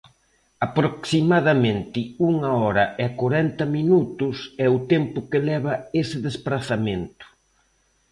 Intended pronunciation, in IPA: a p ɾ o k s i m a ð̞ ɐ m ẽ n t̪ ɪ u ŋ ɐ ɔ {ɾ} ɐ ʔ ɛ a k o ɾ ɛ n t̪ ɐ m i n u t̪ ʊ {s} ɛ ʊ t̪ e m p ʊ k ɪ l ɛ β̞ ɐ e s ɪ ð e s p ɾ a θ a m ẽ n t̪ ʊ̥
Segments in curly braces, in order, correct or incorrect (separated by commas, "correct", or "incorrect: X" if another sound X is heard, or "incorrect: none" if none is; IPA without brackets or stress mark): correct, correct